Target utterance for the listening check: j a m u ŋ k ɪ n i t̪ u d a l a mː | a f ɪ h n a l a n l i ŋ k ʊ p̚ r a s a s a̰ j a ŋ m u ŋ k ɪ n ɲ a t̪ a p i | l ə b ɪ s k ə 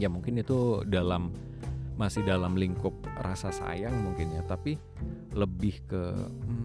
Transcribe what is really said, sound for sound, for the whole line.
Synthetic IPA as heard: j a m u ŋ k ɪ n i t̪ u d a l a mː | a s ɪ h d a l a m l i ŋ k ʊ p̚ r a s a s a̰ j a ŋ m u ŋ k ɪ n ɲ a t̪ a p i | l ə b ɪ h k ə